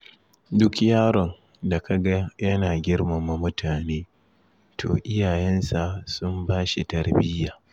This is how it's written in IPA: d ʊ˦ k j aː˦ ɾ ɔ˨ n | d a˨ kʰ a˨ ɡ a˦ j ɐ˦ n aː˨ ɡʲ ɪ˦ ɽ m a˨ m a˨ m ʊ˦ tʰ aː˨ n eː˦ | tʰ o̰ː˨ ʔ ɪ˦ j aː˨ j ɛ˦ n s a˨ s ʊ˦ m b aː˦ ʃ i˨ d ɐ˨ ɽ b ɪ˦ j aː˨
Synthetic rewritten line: d ʊ˦ k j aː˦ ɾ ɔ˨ n | d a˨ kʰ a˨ ɡ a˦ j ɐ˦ n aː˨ ɡʲ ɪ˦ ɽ m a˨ m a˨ m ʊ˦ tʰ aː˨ n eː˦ | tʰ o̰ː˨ ʔ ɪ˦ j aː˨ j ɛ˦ n s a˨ s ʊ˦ m b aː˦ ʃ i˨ t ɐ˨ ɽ b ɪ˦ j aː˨